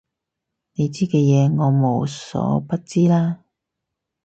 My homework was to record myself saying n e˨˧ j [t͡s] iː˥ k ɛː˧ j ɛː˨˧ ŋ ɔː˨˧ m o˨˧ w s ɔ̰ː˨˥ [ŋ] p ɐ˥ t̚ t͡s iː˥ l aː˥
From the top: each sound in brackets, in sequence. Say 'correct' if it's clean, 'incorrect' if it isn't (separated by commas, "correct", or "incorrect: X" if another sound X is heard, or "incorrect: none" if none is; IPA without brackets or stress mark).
correct, incorrect: none